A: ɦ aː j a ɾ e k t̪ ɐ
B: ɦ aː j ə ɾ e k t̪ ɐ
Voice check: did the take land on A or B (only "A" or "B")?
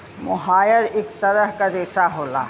B